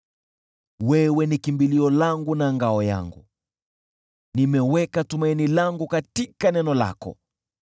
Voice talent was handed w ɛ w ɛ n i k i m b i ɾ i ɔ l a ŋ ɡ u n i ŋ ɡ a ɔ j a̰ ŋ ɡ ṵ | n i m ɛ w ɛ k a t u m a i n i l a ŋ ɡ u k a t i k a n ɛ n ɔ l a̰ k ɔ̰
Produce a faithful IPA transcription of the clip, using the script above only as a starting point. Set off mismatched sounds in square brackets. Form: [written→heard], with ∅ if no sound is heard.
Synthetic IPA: w ɛ w ɛ n i k i m b i [ɾ→l] i ɔ l a ŋ ɡ u n [i→a] ŋ ɡ a ɔ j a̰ ŋ ɡ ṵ | n i m ɛ w ɛ k a t u m a i n i l a ŋ ɡ u k a t i k a n ɛ n ɔ l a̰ k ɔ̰